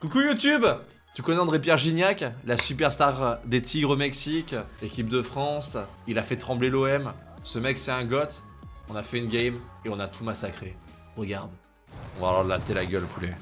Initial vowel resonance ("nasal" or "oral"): oral